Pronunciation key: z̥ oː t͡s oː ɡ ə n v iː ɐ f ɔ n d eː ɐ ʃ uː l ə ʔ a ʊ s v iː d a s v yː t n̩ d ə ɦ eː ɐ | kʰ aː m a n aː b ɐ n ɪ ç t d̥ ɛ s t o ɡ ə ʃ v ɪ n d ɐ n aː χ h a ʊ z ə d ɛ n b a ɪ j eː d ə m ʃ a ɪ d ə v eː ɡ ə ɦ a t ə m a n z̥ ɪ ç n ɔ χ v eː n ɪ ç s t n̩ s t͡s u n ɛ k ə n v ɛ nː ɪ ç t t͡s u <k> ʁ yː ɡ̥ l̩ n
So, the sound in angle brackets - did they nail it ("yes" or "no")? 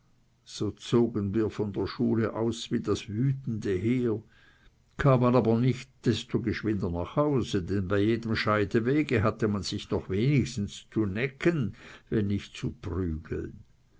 no